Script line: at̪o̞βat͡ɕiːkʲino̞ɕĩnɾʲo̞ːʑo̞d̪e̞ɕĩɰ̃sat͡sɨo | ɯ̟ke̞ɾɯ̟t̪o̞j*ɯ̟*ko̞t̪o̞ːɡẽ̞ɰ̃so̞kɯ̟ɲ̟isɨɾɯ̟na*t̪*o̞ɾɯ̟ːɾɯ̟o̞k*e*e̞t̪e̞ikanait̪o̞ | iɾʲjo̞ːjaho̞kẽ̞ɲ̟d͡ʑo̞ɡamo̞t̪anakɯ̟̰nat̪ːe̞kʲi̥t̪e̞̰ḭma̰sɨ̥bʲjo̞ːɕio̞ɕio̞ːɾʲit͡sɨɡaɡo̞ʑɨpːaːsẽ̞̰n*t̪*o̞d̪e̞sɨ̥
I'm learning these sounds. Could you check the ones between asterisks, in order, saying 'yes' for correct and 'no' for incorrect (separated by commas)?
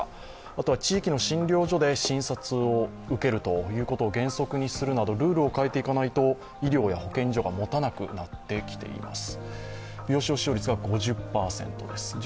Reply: no, no, no, yes